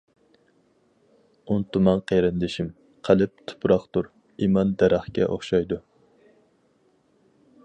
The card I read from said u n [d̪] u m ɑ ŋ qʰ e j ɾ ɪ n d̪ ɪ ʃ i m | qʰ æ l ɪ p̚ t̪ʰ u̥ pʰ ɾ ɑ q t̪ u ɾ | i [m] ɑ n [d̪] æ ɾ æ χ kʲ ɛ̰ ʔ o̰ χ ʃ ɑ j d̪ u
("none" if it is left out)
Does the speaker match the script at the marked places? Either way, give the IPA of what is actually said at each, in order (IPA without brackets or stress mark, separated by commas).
t̪, m, d̪